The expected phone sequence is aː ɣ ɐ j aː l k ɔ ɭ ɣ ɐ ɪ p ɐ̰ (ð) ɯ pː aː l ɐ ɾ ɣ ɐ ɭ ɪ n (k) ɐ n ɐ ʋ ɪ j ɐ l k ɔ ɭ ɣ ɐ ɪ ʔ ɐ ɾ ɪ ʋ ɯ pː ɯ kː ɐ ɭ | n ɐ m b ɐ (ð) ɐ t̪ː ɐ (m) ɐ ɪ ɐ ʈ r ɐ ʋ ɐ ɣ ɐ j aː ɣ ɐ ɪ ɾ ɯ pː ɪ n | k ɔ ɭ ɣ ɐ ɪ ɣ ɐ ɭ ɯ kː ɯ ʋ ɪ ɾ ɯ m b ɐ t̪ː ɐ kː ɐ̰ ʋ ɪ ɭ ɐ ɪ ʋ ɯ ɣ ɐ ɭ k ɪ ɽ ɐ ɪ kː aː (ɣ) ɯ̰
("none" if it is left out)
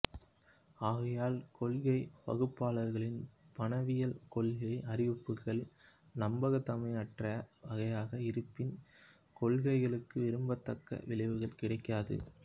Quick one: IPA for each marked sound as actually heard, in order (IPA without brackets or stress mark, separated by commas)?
ɣ, p, ɣ, m, ð